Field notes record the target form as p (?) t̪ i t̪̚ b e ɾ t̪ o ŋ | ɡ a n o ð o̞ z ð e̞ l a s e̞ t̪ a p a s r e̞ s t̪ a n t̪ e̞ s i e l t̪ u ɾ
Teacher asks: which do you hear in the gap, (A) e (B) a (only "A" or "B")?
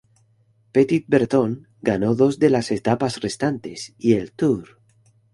A